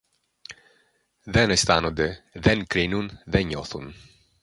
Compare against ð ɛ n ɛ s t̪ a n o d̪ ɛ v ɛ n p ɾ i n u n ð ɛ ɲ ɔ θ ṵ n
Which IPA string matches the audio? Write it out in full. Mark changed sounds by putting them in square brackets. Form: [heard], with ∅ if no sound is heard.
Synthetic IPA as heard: ð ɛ n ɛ s t̪ a n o d̪ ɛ [ð] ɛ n [k] ɾ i n u n ð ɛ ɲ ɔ θ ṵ n